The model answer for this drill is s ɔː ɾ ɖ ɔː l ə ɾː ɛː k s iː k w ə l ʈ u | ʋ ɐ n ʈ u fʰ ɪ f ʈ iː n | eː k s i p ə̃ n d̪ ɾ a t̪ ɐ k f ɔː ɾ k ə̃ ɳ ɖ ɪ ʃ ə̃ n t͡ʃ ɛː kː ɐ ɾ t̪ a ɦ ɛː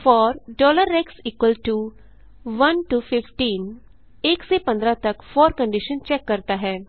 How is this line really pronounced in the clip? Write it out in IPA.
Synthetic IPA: f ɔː ɾ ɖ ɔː l ə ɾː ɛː k s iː k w ə l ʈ u | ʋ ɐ n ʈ u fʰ ɪ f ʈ iː n | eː k s e p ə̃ n d̪ ɾ a t̪ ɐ k f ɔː ɾ k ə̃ ɳ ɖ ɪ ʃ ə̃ n t͡ʃ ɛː kː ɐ ɾ t̪ a ɦ ɛː